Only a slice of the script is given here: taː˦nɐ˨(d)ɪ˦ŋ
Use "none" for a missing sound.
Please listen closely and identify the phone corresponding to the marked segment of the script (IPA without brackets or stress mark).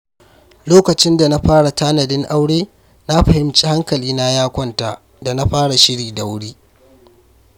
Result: d